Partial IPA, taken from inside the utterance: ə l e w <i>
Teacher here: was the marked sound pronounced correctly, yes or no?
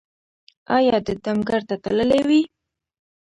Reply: yes